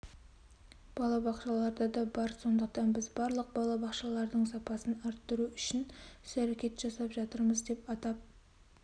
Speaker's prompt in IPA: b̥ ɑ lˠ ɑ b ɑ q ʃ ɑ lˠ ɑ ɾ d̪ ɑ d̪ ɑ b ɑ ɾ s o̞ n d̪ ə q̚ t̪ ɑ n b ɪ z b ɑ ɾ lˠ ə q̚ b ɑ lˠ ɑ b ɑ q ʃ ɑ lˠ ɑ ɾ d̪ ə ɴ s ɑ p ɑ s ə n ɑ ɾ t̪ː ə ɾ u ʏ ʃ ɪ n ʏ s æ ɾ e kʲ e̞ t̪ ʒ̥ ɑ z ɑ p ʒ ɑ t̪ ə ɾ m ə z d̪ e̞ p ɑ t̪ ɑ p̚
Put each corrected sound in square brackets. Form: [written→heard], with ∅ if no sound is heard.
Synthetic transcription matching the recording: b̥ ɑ lˠ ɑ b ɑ q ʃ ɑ lˠ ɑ ɾ d̪ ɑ d̪ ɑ b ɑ ɾ s o̞ n d̪ ə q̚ t̪ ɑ n b ɪ z b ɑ ɾ lˠ ə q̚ b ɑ lˠ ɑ b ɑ q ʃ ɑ lˠ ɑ ɾ d̪ ə ɴ s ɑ p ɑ s ə n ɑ ɾ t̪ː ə ɾ u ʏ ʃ ɪ n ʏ s æ ɾ e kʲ e̞ t̪ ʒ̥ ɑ [z→s] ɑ p ʒ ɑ t̪ ə ɾ m ə z d̪ e̞ p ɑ t̪ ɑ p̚